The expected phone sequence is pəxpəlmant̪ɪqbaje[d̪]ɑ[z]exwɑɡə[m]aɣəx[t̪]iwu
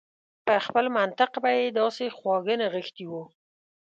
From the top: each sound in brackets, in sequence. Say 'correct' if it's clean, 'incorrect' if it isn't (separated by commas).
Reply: correct, incorrect, incorrect, correct